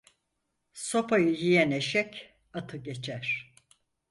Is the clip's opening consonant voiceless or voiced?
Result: voiceless